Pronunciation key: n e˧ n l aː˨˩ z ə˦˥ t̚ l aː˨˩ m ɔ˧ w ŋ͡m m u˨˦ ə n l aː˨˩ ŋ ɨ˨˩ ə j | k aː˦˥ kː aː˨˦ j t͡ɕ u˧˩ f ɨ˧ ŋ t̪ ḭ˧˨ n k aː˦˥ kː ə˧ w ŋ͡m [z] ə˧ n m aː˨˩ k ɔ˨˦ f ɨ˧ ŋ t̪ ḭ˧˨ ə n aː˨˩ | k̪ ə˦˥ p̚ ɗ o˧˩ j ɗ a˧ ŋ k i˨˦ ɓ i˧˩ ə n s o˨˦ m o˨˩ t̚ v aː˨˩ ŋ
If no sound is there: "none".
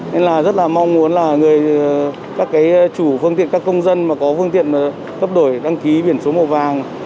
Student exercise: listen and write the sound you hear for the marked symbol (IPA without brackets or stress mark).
z